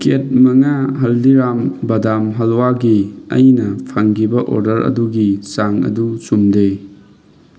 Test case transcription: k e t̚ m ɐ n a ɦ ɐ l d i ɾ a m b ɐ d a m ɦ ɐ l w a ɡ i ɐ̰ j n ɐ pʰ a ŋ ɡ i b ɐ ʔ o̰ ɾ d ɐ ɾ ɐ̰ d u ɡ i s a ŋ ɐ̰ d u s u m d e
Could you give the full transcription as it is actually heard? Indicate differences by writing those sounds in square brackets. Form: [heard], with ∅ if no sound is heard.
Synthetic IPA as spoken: k e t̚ m ɐ [ŋ] a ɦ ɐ l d i ɾ a m b ɐ d a m ɦ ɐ l w a ɡ i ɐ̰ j n ɐ pʰ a ŋ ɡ i b ɐ ʔ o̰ ɾ d ɐ ɾ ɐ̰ d u ɡ i s a ŋ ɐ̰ d u s u m d e